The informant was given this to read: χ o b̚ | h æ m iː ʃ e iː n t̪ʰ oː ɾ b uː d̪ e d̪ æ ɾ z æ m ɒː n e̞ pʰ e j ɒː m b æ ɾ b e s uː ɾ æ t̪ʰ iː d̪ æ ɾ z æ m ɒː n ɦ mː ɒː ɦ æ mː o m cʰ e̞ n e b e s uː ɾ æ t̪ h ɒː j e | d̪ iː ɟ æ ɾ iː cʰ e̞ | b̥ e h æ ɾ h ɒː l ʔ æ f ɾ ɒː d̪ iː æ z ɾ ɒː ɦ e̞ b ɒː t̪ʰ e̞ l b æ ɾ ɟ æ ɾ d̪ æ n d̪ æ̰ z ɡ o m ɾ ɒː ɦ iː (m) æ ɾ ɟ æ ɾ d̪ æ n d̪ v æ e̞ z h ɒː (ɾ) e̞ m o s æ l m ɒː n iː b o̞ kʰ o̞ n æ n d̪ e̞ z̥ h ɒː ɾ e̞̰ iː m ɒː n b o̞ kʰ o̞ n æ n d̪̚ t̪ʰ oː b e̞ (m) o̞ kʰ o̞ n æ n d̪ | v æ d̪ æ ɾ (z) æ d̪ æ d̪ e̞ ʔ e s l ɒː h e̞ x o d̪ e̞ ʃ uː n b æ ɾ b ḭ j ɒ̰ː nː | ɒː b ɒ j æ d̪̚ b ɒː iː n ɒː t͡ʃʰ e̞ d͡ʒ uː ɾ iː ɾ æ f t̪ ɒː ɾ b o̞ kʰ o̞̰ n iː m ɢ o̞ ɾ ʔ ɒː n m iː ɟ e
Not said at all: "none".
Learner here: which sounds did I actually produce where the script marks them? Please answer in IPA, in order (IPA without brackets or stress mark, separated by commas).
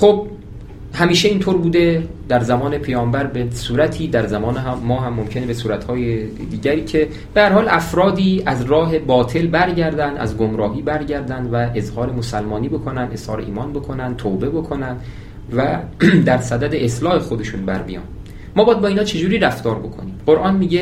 b, ɾ, b, s